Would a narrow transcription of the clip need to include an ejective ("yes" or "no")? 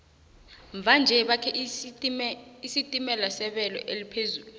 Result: yes